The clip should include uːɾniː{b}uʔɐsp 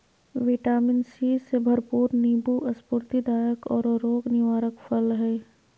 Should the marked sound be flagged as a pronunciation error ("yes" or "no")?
no